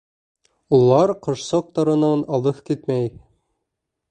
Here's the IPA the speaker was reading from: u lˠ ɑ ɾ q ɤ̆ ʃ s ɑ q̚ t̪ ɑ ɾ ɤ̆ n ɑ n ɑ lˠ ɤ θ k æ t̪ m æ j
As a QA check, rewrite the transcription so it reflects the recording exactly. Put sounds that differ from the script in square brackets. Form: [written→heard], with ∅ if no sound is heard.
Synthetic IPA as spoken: u lˠ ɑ ɾ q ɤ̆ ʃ s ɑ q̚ t̪ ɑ ɾ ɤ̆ n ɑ n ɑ lˠ ɤ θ k [æ→i] t̪ m æ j